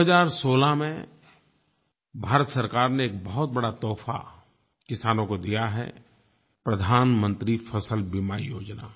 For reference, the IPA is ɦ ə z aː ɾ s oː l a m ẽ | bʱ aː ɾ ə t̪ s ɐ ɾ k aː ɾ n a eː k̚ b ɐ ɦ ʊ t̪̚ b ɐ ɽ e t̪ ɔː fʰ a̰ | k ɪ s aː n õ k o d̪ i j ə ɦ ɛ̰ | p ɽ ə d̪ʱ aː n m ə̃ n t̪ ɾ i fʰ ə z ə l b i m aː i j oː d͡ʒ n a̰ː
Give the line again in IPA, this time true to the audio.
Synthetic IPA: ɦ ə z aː ɾ s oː l a m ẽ | bʱ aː ɾ ə t̪ s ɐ ɾ k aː ɾ n e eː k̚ b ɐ ɦ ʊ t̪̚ b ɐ ɽ a t̪ ɔː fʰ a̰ | k ɪ s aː n õ k o d̪ i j a ɦ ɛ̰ | p ɾ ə d̪ʱ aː n m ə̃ n t̪ ɾ i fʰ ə s ə l b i m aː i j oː d͡ʒ n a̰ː